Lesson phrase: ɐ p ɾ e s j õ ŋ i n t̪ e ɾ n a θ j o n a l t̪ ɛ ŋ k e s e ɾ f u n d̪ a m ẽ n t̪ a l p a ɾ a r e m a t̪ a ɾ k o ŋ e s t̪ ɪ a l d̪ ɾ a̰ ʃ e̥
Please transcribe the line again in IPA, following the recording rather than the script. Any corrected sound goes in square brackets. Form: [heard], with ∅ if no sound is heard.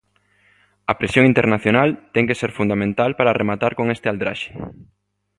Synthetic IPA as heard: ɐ p ɾ e s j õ ŋ i n t̪ e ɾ n a θ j o n a l t̪ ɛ ŋ k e s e ɾ f u n d̪ a m ẽ n t̪ a l p a ɾ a r e m a t̪ a ɾ k o ŋ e s t̪ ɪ a l d̪ ɾ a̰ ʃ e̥